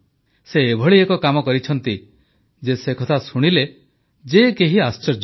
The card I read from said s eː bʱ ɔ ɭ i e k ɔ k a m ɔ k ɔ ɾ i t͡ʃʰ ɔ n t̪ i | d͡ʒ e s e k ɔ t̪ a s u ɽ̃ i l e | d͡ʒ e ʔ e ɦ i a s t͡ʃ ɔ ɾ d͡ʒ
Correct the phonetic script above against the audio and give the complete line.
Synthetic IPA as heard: s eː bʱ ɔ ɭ i e k ɔ k a m ɔ k ɔ ɾ i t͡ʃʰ ɔ n t̪ i | d͡ʒ e s e k ɔ t̪ʰ a s u ɽ̃ i l e | d͡ʒ e k e ɦ i a s t͡ʃ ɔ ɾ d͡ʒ